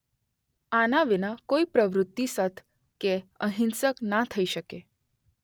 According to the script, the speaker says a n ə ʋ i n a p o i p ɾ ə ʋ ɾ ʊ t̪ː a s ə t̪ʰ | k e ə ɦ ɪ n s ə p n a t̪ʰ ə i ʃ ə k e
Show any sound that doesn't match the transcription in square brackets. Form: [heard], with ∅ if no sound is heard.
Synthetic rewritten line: a n [a] ʋ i n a [k] o i p ɾ ə ʋ ɾ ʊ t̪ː [i] s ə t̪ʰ | k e ə ɦ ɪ n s ə [k] n a t̪ʰ ə i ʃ ə k e